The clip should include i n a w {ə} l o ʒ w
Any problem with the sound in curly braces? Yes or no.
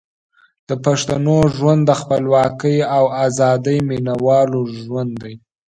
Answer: yes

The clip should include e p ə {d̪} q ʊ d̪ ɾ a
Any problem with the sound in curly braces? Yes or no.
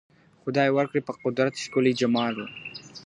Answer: yes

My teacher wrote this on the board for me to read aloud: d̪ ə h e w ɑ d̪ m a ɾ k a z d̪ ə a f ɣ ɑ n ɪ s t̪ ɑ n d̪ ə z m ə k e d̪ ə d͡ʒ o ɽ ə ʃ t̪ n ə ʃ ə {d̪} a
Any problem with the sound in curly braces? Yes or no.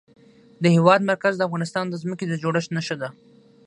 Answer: no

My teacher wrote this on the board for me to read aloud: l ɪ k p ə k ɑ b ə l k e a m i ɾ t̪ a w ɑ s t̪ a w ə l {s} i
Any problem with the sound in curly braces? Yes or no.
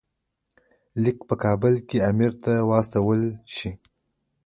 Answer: yes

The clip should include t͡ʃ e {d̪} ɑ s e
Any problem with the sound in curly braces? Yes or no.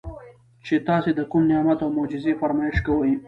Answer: yes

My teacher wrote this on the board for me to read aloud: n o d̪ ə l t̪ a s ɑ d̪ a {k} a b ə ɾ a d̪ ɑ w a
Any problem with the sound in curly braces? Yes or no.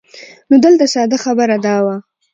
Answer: yes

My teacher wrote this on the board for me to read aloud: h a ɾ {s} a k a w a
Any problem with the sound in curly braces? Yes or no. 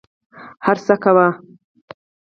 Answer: no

